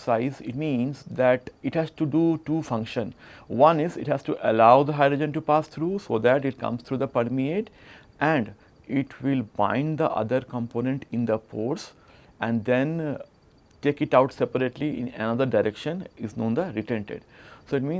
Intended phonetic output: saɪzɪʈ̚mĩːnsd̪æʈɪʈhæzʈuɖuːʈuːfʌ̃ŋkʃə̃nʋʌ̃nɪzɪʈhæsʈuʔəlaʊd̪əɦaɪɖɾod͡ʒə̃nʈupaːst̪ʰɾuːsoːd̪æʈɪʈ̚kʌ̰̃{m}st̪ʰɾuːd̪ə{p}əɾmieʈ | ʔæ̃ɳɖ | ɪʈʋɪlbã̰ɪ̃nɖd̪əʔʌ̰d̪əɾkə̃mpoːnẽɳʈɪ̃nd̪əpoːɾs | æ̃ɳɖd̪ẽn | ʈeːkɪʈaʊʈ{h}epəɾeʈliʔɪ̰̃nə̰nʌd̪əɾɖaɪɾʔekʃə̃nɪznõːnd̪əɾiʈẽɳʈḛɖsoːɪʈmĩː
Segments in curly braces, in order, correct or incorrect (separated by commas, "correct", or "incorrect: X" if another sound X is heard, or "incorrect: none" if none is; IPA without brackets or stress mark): correct, correct, incorrect: s